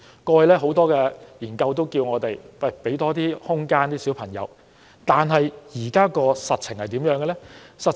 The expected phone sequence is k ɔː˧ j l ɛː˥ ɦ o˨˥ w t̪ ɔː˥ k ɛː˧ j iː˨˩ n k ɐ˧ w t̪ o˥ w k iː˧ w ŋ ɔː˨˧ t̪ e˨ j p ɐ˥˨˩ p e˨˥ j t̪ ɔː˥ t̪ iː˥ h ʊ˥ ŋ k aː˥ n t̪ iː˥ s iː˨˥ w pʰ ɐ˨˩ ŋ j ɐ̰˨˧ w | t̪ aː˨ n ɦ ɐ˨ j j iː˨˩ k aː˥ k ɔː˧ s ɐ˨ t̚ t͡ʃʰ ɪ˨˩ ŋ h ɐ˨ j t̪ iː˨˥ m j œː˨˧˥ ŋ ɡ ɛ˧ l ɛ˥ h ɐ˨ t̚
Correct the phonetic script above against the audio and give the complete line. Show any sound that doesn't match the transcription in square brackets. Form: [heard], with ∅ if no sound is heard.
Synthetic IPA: k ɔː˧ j l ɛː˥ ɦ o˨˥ w t̪ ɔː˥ k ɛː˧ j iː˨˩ n k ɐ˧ w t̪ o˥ w k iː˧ w ŋ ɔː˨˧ t̪ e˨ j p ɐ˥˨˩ p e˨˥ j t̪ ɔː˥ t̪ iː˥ h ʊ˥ ŋ k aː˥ n t̪ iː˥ s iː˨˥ w pʰ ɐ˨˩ ŋ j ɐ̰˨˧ w | t̪ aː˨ n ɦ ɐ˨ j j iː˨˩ k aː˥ k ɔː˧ s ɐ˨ t̚ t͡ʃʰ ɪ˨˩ ŋ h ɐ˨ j t̪ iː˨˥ m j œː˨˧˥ ŋ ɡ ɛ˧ l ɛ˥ [s] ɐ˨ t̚